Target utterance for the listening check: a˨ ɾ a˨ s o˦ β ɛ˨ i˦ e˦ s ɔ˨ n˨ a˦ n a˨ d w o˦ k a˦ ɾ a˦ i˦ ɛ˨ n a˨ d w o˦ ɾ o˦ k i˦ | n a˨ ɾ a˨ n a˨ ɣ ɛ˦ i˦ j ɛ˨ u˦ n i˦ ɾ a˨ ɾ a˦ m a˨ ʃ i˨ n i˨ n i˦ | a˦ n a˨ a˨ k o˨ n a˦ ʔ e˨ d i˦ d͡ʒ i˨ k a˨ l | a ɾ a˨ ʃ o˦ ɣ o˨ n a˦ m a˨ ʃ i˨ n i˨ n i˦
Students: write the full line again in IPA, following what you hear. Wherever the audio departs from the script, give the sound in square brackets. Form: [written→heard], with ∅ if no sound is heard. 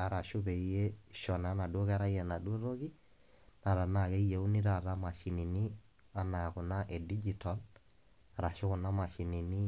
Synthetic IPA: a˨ ɾ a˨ [s→ʃ] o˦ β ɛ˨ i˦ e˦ [s→ʃ] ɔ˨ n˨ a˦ n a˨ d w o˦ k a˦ ɾ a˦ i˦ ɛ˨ n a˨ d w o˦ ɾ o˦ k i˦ | n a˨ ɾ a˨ n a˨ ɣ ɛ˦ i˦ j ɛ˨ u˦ n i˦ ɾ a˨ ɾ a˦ m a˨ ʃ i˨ n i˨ n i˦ | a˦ n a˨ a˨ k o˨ n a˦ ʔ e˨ d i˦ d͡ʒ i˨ [k→t] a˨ l | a ɾ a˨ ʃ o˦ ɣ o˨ n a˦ m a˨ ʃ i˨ n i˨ n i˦